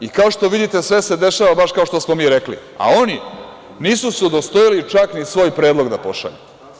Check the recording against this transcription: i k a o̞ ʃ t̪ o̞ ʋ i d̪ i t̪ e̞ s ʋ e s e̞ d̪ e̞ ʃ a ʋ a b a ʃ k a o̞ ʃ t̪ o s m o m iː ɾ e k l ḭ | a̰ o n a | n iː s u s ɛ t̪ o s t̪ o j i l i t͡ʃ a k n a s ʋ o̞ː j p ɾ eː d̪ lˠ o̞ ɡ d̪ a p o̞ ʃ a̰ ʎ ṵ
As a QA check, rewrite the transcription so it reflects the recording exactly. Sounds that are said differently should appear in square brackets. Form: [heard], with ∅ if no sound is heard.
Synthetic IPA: i k a o̞ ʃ t̪ o̞ ʋ i d̪ i t̪ e̞ s ʋ e s e̞ d̪ e̞ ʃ a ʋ a b a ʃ k a o̞ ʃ t̪ o s m o m iː ɾ e k l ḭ | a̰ o n [i] | n iː s u s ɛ [d̪] o s t̪ o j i l i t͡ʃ a k n [i] s ʋ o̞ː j p ɾ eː d̪ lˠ o̞ ɡ d̪ a p o̞ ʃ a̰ ʎ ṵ